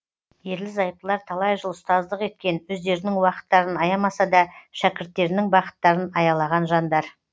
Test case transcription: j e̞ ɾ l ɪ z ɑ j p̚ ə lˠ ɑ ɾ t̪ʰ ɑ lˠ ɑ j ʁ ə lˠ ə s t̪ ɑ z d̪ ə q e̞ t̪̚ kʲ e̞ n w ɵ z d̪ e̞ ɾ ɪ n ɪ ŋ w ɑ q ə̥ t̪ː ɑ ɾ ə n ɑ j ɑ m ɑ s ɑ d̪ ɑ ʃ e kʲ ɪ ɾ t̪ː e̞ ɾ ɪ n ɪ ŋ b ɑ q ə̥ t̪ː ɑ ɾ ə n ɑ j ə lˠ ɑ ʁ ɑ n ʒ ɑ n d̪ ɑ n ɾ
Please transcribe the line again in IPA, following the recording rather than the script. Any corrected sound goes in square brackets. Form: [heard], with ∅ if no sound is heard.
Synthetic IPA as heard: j e̞ ɾ l ɪ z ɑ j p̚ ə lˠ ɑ ɾ t̪ʰ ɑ lˠ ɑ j [ʒ] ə lˠ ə s t̪ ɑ z d̪ ə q e̞ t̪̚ kʲ e̞ n w ɵ z d̪ e̞ ɾ ɪ n ɪ ŋ w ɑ q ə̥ t̪ː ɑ ɾ ə n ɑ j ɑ m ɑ s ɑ d̪ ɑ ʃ [æ] kʲ ɪ ɾ t̪ː e̞ ɾ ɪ n ɪ ŋ b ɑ q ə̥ t̪ː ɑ ɾ ə n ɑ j [ɑ] lˠ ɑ ʁ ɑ n ʒ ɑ n d̪ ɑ [∅] ɾ

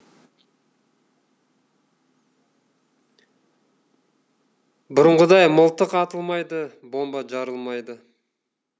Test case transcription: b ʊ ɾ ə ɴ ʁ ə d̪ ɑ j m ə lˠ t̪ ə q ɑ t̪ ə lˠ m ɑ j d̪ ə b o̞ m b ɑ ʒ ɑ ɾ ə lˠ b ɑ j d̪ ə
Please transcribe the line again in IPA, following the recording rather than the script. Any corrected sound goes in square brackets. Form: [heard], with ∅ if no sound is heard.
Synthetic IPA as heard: b ʊ ɾ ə ɴ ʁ ə d̪ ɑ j m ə lˠ t̪ ə q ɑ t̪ ə lˠ m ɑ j d̪ ə b o̞ m b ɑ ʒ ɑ ɾ ə lˠ [m] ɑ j d̪ ə

